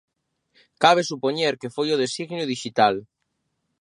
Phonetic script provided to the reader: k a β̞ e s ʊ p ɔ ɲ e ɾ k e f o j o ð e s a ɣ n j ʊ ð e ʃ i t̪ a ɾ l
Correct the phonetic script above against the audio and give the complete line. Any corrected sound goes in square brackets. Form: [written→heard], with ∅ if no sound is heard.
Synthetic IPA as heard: k a β̞ e s [ʊ→u] p [ɔ→o] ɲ e ɾ k e f o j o ð e s [a→i] ɣ n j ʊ ð [e→i] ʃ i t̪ a [ɾ→∅] l